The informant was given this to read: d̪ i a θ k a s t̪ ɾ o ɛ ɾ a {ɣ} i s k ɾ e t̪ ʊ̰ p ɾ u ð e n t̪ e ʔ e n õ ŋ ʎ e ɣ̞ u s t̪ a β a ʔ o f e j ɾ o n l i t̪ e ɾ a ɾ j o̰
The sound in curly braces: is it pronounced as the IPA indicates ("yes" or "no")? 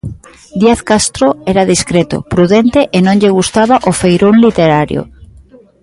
no